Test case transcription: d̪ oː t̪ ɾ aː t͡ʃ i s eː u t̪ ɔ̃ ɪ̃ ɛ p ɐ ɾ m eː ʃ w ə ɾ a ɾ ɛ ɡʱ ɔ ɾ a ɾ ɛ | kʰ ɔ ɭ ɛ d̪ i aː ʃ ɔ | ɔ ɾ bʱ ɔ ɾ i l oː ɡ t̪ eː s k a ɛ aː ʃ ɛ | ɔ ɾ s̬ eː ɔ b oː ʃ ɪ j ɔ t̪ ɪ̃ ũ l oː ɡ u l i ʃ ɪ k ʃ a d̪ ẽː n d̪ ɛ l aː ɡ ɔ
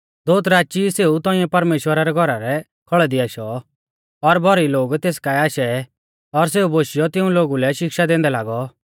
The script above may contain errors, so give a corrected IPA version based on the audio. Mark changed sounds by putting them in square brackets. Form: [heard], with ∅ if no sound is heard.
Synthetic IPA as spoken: d̪ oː t̪ ɾ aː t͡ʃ i s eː u t̪ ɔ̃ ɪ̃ ɛ p ɐ ɾ m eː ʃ w ə ɾ a ɾ ɛ ɡʱ ɔ ɾ a ɾ ɛ | kʰ ɔ ɭ ɛ d̪ i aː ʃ ɔ | ɔ ɾ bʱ ɔ ɾ i l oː ɡ t̪ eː s k a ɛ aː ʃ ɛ | ɔ ɾ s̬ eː [u] b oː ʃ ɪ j ɔ t̪ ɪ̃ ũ l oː ɡ u l [ɛ] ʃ ɪ k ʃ a d̪ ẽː n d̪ ɛ l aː ɡ ɔ